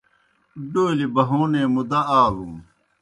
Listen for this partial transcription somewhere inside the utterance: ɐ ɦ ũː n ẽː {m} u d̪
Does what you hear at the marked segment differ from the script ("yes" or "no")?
no